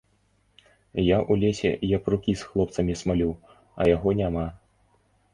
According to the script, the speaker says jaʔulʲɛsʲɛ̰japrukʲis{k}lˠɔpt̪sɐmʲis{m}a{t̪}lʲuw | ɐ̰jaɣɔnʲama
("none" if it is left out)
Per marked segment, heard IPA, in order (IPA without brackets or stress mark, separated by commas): x, m, none